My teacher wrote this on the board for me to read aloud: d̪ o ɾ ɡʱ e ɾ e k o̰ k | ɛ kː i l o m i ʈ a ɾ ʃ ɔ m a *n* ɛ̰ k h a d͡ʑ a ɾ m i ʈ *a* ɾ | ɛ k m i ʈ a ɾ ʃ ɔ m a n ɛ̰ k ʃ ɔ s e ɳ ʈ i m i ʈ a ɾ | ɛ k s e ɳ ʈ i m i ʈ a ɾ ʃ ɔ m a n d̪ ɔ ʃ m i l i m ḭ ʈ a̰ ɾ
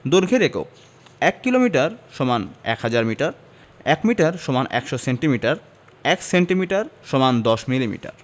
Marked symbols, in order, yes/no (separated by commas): yes, yes